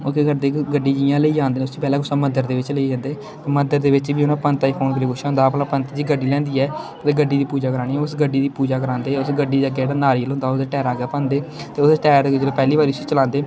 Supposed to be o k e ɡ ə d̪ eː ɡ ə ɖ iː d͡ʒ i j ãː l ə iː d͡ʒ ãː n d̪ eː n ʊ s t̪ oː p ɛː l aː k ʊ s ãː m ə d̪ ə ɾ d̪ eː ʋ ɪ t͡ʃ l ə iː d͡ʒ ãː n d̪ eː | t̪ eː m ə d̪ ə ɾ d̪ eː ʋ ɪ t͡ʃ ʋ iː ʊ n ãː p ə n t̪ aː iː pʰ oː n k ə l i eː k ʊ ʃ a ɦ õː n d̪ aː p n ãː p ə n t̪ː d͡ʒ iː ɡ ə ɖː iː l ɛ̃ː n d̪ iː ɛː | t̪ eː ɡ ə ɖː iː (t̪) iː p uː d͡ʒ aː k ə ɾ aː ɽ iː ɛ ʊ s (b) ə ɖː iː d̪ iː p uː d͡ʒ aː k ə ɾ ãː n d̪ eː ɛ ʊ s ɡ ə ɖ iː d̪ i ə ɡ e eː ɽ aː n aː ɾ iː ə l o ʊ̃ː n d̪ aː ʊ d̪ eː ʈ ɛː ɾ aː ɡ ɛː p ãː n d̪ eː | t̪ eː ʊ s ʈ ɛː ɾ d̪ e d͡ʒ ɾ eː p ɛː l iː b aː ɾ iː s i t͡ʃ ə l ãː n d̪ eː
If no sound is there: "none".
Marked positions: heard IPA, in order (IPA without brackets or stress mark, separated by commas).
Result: d̪, ɡ